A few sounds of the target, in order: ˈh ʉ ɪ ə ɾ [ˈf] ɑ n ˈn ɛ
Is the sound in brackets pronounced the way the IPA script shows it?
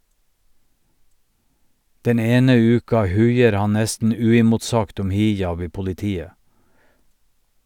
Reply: no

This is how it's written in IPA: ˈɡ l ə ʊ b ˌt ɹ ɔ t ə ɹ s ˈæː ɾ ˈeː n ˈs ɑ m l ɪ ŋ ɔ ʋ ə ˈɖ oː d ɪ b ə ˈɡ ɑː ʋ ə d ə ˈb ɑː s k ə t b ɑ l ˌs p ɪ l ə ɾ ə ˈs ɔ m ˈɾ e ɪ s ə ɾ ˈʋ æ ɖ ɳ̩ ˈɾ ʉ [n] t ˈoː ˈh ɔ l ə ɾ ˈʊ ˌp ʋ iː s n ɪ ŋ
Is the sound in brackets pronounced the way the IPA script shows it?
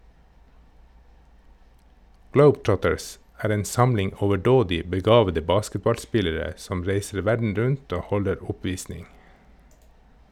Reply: yes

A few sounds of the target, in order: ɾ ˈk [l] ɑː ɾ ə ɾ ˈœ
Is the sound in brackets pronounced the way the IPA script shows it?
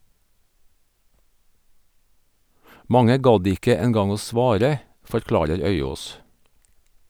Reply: yes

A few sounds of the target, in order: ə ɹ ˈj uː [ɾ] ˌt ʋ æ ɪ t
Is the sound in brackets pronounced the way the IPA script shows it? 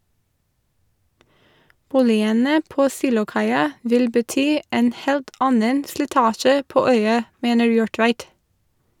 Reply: no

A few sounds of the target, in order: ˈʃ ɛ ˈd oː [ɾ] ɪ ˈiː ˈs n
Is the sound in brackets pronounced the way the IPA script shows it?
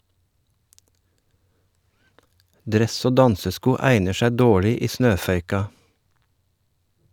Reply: no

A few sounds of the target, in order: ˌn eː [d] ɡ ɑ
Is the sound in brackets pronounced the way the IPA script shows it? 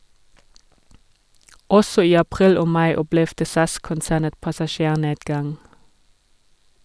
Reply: yes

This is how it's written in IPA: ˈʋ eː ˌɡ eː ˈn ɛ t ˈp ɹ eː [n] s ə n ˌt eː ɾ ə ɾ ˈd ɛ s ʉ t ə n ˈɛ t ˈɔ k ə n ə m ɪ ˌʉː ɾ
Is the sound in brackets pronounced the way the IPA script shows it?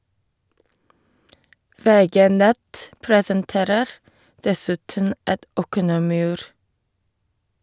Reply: no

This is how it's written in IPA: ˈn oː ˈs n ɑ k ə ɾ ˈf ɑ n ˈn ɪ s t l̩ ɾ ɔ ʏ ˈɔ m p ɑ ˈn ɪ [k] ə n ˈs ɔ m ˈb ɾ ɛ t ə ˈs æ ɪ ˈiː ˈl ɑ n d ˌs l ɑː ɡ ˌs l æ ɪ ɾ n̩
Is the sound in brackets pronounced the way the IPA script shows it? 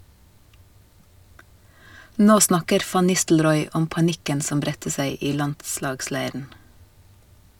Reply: yes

